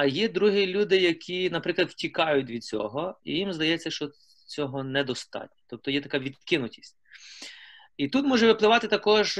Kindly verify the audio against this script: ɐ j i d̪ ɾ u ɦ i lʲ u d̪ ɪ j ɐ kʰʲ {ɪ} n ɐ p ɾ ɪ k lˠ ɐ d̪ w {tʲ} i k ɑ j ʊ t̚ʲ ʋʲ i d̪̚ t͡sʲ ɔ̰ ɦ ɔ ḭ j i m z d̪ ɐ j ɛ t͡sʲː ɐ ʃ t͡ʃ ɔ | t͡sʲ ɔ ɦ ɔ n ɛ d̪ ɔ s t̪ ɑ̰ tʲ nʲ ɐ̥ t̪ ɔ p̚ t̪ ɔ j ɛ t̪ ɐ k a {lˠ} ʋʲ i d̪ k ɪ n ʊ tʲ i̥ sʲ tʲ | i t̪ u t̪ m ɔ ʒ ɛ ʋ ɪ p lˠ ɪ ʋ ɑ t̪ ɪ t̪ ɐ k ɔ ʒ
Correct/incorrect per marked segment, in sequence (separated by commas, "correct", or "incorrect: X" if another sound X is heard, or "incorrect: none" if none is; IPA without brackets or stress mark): incorrect: i, correct, incorrect: none